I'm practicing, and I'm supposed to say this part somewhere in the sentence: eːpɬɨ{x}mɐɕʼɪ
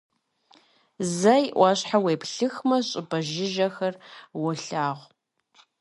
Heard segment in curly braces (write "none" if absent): x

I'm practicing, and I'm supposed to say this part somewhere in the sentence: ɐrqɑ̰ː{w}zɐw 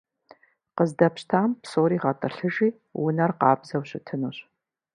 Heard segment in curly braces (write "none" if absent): b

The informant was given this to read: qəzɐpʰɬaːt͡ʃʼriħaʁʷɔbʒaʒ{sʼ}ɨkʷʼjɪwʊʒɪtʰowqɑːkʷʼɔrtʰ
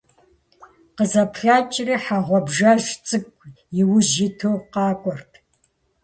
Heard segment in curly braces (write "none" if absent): t͡sʼ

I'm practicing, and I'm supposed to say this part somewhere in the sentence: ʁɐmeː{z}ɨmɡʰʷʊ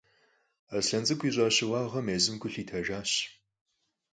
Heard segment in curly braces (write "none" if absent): z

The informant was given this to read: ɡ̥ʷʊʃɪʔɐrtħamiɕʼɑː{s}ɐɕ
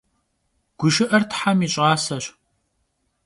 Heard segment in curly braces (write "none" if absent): s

